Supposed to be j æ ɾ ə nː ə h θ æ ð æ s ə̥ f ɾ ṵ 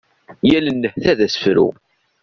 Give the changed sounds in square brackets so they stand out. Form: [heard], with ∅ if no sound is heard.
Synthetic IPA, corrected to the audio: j æ [l] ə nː ə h θ æ ð æ s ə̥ f ɾ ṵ